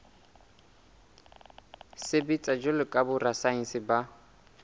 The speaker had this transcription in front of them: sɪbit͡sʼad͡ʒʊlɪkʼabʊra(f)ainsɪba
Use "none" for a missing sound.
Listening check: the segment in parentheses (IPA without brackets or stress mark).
s